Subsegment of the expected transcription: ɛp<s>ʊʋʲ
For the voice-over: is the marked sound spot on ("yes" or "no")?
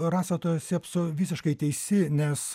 yes